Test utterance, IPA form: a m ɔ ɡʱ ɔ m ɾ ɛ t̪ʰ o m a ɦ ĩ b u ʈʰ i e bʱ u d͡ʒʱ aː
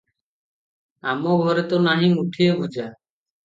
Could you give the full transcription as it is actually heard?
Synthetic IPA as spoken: a m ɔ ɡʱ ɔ ɾ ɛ t̪ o n a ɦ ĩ m u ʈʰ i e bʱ u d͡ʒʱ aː